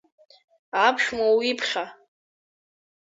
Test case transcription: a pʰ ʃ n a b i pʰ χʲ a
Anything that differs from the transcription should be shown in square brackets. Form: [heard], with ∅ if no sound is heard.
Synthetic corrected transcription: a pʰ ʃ [m] a [w] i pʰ χʲ a